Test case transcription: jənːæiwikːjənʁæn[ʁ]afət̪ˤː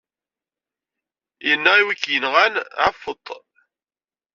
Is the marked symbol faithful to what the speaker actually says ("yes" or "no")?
no